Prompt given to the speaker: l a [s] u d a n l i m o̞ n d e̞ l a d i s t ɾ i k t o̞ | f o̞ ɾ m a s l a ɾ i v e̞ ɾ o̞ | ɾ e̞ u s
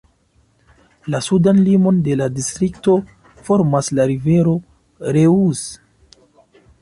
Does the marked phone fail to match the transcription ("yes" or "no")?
no